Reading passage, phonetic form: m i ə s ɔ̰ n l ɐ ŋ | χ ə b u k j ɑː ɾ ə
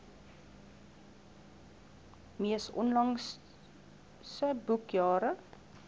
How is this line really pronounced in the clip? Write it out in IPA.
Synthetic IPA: m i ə s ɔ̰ n l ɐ ŋ | s ə b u k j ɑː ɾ ə